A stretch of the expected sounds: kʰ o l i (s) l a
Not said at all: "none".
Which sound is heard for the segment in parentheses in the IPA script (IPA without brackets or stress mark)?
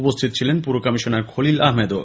none